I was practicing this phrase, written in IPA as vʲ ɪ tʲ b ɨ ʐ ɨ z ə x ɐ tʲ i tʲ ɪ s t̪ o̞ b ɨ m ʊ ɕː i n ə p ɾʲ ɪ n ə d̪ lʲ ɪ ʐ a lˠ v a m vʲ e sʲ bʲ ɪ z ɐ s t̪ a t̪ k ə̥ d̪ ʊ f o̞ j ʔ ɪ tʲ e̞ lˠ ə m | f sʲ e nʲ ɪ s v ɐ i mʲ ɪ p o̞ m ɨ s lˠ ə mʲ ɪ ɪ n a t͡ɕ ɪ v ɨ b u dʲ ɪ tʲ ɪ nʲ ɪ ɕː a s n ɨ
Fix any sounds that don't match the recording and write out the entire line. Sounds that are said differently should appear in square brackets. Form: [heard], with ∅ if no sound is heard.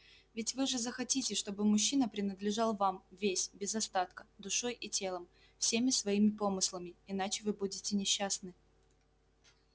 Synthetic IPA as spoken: vʲ ɪ tʲ [v] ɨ ʐ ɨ z ə x ɐ tʲ i tʲ ɪ [ʂ] t̪ o̞ b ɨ m ʊ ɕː i n ə p ɾʲ ɪ n ə d̪ lʲ ɪ ʐ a lˠ v a m vʲ e sʲ bʲ ɪ z ɐ s t̪ a t̪ k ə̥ d̪ ʊ [ʂ] o̞ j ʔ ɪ tʲ e̞ lˠ ə m | f sʲ e [mʲ] ɪ s v ɐ i mʲ ɪ p o̞ m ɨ s lˠ ə mʲ ɪ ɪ n a t͡ɕ ɪ v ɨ b u dʲ ɪ tʲ ɪ nʲ ɪ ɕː a s n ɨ